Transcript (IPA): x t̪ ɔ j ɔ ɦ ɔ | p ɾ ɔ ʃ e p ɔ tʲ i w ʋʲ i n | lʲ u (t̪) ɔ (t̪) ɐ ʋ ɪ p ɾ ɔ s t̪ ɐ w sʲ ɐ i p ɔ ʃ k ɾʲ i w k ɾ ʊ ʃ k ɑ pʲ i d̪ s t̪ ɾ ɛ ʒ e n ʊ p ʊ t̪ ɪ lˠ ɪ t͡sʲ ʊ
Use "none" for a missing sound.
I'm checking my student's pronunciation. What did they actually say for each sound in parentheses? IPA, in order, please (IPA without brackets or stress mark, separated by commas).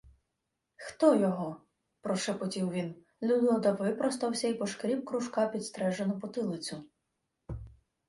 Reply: d̪, d̪